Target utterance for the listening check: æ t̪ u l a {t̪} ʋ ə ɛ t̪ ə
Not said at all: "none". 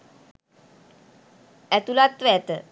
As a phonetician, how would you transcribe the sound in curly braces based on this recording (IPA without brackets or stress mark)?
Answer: t̪